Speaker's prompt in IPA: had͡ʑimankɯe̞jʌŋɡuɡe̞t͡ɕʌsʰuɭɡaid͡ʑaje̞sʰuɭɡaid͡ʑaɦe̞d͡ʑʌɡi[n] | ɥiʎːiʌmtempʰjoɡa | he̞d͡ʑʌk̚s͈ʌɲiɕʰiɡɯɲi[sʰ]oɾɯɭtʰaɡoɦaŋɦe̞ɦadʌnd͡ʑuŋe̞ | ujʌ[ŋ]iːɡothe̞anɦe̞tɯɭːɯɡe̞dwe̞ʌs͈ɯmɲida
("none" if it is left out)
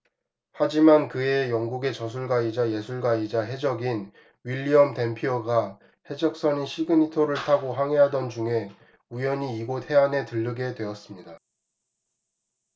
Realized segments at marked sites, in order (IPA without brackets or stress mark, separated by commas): n, tʰ, ɲ